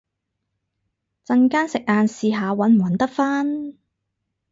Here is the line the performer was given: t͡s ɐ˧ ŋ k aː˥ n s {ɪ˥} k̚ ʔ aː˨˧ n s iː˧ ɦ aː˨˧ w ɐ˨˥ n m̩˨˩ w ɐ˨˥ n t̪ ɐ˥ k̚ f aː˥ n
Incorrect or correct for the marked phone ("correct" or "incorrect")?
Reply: incorrect